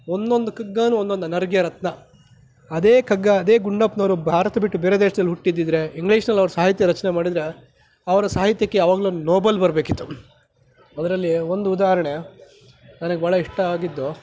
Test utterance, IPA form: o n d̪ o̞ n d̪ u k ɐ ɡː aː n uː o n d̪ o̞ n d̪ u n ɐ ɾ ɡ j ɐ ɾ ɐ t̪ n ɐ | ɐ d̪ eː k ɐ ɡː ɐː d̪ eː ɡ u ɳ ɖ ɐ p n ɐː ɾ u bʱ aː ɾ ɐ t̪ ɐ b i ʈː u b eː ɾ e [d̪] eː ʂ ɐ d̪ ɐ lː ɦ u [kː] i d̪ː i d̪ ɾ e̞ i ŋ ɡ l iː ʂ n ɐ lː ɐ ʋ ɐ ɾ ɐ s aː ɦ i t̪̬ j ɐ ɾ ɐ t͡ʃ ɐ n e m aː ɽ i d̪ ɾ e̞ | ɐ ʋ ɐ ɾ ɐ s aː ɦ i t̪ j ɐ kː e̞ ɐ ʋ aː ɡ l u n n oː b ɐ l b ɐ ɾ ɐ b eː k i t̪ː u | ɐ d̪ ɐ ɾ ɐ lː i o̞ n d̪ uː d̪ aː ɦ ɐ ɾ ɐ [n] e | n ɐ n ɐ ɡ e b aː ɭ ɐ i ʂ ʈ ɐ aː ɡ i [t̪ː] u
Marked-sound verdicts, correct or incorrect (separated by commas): correct, incorrect, incorrect, incorrect